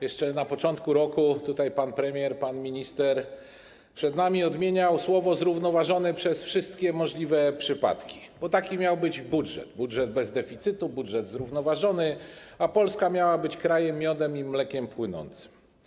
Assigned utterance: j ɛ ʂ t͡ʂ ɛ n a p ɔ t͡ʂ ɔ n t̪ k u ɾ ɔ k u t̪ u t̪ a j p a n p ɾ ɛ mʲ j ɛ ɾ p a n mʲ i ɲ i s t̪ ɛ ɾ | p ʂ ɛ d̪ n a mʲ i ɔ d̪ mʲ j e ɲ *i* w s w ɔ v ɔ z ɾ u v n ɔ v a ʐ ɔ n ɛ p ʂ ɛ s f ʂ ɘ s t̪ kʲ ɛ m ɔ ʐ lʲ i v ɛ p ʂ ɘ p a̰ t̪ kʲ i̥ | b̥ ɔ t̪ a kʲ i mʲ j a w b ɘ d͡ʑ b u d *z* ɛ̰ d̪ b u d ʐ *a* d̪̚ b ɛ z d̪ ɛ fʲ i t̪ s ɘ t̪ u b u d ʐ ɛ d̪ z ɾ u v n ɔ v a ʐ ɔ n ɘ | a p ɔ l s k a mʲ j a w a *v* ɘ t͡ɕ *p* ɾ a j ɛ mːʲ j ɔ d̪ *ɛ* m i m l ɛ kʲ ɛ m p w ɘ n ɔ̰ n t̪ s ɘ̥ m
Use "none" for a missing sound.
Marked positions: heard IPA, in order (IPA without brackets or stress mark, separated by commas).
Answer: a, ʐ, ɛ, b, k, ɛ